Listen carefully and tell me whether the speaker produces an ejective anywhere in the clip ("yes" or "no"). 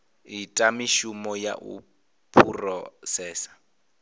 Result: yes